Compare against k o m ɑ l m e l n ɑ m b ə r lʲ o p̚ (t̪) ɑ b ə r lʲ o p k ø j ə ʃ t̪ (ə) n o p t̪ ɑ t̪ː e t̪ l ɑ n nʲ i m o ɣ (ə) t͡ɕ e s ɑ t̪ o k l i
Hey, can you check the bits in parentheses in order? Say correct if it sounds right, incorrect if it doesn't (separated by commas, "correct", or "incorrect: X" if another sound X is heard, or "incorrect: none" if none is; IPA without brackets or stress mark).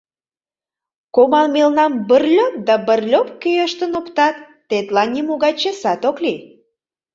incorrect: d̪, correct, incorrect: ɑ